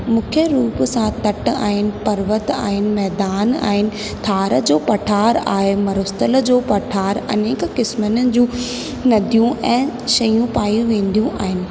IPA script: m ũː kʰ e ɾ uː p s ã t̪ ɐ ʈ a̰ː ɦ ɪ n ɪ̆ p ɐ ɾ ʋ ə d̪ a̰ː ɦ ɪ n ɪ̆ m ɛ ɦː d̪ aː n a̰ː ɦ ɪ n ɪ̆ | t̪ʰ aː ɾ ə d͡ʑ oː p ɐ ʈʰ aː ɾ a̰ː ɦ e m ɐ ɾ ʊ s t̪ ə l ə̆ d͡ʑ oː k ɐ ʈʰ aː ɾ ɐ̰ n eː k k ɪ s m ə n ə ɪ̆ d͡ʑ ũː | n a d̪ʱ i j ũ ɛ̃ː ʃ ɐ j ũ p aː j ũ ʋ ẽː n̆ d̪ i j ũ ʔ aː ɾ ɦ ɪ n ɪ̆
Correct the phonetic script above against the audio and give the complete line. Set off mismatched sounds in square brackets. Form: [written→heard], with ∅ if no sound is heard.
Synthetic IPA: m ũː kʰ e ɾ uː p s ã t̪ ɐ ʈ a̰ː ɦ ɪ n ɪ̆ p ɐ ɾ ʋ ə [d̪→t̪] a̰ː ɦ ɪ n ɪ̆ m ɛ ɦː d̪ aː n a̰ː ɦ ɪ n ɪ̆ | t̪ʰ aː ɾ ə d͡ʑ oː p ɐ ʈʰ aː ɾ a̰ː ɦ e m ɐ ɾ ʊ s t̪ ə l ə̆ d͡ʑ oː [k→p] ɐ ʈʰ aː ɾ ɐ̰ n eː k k ɪ s m ə n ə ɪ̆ d͡ʑ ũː | n [a→ɐ] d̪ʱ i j ũ ɛ̃ː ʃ ɐ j ũ p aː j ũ ʋ ẽː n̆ d̪ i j ũ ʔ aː [ɾ→∅] ɦ ɪ n ɪ̆